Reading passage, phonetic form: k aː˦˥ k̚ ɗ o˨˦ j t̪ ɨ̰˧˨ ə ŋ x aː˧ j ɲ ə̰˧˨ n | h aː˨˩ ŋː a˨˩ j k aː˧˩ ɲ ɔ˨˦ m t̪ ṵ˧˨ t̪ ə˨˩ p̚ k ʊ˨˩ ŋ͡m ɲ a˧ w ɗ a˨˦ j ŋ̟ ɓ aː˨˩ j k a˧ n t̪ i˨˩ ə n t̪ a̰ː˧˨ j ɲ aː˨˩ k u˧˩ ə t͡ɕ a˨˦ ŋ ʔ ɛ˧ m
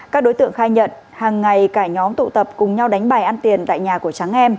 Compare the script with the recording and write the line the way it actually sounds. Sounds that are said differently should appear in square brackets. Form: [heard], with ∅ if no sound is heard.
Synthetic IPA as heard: k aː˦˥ k̚ ɗ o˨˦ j t̪ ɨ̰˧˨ ə ŋ x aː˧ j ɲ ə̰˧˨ n | h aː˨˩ ŋː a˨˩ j k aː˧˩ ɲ ɔ˨˦ m t̪ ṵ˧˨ t̪ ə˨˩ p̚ k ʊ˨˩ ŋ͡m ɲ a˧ w ɗ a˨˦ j ŋ̟ ɓ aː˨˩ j [ʔ] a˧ n t̪ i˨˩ ə n t̪ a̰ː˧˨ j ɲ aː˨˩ k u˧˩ ə t͡ɕ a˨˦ ŋ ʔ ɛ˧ m